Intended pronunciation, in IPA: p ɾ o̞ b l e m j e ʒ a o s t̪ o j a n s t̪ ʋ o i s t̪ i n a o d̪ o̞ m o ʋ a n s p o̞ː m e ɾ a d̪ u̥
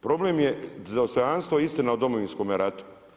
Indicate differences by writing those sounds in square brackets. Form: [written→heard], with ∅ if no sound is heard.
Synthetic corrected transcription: p ɾ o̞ b l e m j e [ʒ→z] a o s t̪ o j a n s t̪ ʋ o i s t̪ i n a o d̪ o̞ m o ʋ [a→i] n s [p→k] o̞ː m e ɾ a [d̪→t̪] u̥